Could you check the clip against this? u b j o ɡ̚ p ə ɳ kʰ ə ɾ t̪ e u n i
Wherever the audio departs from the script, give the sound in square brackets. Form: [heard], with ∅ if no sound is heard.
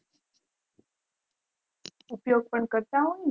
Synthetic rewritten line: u [p] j o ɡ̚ p ə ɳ [k] ə ɾ t̪ [a] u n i